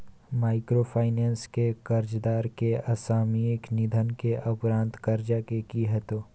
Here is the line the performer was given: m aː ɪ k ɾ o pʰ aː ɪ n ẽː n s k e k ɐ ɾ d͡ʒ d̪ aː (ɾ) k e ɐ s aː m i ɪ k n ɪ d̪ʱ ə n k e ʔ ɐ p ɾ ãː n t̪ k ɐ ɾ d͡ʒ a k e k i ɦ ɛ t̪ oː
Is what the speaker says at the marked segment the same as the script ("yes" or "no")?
yes